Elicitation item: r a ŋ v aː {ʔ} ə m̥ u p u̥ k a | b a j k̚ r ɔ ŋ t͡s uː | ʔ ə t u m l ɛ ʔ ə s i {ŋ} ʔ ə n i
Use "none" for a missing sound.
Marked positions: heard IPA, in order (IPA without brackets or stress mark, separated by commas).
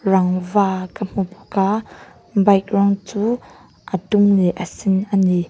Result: k, n